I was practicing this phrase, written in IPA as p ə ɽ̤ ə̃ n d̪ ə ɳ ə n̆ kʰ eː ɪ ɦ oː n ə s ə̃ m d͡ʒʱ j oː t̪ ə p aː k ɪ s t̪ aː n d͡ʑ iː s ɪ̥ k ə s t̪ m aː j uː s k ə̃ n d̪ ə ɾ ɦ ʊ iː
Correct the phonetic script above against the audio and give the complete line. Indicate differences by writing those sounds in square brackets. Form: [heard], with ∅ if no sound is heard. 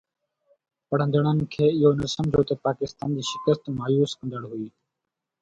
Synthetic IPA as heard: p ə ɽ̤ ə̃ n d̪ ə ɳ ə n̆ kʰ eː ɪ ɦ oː n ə s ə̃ m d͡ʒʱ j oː t̪ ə p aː k ɪ s t̪ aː n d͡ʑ iː [ʃ] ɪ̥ k ə s t̪ m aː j uː s k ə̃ n d̪ ə [ɽ] ɦ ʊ iː